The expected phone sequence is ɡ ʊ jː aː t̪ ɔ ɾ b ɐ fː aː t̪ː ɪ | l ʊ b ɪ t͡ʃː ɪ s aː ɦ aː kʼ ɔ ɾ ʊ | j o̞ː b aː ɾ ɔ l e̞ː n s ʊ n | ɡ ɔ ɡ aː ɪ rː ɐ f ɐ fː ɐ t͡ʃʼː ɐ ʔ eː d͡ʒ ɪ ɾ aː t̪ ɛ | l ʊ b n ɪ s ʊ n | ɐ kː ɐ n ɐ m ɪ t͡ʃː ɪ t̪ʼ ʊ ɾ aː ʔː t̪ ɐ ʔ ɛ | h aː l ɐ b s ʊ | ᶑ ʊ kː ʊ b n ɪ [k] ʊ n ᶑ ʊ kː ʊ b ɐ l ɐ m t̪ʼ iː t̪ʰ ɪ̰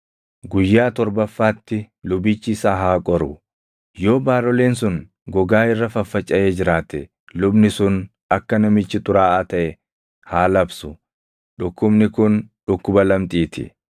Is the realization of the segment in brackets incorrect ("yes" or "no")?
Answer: no